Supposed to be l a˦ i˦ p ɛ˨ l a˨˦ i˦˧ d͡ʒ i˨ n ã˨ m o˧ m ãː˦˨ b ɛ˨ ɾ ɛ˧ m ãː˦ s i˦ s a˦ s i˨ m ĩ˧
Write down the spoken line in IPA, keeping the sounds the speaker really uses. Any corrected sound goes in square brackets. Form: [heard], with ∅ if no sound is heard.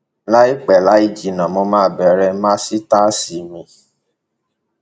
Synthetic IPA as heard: l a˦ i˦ [k͡p] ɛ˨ l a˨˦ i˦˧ d͡ʒ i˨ n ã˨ m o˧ m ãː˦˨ b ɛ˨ ɾ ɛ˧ m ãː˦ s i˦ [t] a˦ s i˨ m ĩ˧